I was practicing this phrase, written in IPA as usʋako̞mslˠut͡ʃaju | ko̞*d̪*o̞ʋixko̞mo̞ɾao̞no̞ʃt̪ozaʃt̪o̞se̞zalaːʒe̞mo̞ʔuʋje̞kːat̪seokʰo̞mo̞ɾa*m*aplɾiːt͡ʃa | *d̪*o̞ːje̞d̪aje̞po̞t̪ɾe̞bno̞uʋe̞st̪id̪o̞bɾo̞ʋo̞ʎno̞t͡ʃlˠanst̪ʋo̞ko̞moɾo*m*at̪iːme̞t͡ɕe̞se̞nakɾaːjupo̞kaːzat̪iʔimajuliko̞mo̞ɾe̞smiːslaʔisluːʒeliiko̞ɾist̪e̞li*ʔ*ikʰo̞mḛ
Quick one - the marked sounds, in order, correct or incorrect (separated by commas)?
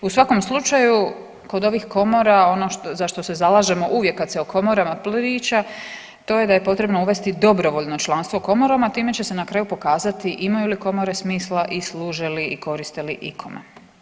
correct, correct, incorrect, correct, correct